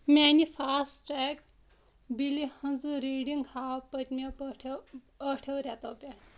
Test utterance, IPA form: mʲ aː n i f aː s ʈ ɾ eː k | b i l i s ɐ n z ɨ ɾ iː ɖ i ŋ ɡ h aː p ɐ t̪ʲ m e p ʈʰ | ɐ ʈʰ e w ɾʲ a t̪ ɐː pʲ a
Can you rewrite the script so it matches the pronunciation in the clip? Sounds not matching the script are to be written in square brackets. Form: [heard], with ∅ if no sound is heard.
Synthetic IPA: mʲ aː n i f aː s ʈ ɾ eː k | b i l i [h] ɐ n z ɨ ɾ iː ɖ i ŋ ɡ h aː p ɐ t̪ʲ m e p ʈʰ | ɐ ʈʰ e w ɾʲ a t̪ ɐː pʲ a